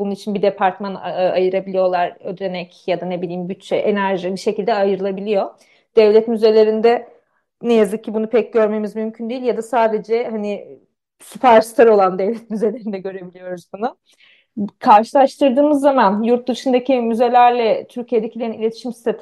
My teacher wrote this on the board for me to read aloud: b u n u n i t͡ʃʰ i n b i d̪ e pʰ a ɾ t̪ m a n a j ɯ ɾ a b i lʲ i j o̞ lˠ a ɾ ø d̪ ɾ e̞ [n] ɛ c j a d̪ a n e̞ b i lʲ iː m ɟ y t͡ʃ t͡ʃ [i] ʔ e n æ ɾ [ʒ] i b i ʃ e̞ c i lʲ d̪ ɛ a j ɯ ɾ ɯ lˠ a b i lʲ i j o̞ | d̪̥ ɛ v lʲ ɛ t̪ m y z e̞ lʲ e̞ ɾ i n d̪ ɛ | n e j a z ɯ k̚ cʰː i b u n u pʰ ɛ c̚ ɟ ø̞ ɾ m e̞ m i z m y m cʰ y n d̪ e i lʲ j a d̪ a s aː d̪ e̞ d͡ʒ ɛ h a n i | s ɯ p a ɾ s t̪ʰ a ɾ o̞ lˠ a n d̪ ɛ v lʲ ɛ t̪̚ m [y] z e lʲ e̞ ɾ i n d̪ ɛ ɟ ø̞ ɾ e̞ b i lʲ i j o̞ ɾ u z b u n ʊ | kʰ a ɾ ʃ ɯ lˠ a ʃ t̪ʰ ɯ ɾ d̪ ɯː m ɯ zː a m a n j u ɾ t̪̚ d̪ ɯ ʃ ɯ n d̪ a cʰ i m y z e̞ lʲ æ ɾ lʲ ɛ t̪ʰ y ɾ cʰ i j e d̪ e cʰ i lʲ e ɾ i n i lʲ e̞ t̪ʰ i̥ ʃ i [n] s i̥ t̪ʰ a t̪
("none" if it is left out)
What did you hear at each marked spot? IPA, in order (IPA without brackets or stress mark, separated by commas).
n, ɛ, ʒ, y, m